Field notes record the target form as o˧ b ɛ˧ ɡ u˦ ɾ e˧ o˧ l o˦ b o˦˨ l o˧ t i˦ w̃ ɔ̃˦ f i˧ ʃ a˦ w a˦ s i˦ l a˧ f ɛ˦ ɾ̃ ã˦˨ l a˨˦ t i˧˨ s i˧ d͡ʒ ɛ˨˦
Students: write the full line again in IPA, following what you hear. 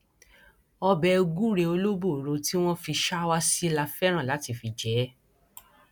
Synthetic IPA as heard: ɔ˧ b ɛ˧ ɡ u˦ ɾ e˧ o˧ l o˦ b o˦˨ ɾ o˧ t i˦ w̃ ɔ̃˦ f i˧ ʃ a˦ w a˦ s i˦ l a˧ f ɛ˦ ɾ̃ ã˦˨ l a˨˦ t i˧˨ f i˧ d͡ʒ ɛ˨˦